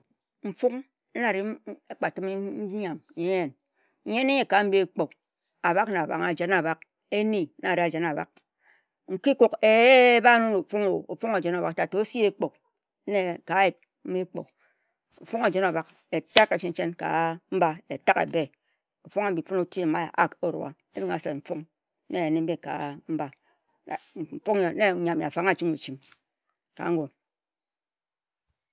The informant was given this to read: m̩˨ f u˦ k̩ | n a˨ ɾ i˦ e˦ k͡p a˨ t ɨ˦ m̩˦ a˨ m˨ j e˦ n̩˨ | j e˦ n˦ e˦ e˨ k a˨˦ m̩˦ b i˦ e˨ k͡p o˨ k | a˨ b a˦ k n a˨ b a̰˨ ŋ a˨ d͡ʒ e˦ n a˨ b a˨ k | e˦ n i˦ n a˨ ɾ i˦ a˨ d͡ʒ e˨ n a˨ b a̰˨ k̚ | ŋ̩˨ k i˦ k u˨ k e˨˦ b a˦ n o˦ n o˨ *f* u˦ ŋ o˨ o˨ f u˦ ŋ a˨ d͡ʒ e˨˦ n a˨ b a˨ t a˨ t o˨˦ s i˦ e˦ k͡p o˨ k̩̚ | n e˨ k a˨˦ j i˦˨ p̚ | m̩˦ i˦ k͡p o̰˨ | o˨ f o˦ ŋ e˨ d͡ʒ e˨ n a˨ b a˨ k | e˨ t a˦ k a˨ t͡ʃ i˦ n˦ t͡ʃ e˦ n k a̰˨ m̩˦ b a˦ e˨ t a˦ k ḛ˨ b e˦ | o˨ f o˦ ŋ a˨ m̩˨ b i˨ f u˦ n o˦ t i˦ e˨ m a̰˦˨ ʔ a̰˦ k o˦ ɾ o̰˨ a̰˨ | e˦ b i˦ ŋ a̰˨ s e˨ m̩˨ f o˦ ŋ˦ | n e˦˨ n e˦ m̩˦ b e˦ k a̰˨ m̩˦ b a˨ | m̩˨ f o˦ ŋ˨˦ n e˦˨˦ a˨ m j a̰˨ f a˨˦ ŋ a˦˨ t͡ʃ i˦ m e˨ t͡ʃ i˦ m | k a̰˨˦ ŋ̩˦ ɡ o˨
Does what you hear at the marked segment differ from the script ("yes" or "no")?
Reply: no